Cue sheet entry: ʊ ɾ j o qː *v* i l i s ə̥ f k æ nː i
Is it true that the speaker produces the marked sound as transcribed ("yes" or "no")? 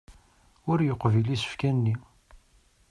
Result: yes